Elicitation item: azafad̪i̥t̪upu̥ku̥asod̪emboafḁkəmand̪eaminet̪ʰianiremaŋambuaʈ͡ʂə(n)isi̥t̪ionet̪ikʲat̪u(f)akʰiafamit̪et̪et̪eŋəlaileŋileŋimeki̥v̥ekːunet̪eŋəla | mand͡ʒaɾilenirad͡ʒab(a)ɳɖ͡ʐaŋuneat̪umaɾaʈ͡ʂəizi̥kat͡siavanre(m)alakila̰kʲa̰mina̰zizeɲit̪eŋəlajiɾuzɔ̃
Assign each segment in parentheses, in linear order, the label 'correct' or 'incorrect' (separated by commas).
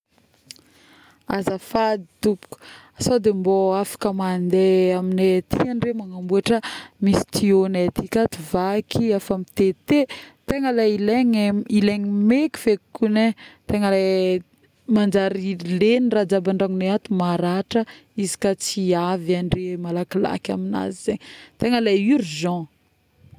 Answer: incorrect, incorrect, correct, correct